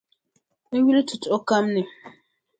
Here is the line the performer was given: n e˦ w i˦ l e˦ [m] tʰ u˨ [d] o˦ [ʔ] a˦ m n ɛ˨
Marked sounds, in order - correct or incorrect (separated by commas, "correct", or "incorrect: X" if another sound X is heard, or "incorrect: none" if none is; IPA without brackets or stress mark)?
incorrect: none, incorrect: t, incorrect: k